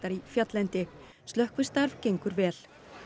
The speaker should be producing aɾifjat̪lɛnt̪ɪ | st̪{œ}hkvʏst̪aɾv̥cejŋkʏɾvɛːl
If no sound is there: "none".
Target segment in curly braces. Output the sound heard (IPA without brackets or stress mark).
œ